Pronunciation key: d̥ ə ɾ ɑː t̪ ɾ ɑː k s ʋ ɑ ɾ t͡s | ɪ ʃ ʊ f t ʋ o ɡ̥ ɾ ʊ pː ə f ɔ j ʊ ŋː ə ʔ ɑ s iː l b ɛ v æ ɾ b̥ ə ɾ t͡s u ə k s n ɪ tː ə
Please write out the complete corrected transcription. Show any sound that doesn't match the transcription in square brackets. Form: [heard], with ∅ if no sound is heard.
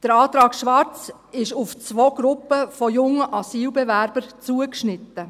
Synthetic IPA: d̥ ə ɾ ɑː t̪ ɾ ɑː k [ʃ] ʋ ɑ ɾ t͡s | ɪ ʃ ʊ f [t͡s] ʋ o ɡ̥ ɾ ʊ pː ə f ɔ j ʊ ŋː ə ʔ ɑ s iː l b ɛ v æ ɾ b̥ ə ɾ t͡s u ə k [ʃ] n ɪ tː ə